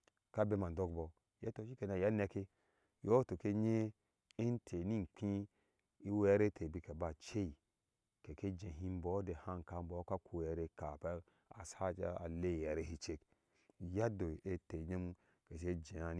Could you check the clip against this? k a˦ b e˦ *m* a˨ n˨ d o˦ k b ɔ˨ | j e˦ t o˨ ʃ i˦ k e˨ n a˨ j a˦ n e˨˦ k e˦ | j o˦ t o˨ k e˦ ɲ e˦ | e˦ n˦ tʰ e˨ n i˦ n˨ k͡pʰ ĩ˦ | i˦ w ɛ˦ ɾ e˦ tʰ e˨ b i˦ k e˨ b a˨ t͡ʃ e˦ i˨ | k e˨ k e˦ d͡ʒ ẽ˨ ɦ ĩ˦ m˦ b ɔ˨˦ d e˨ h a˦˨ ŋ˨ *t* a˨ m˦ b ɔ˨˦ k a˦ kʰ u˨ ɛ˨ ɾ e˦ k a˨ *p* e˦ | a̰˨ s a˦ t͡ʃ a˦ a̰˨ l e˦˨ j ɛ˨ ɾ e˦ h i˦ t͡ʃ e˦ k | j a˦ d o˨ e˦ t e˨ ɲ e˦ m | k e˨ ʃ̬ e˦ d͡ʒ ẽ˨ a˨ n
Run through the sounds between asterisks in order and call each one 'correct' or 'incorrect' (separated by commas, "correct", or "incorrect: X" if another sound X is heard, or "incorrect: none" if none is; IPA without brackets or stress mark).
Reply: correct, incorrect: k, correct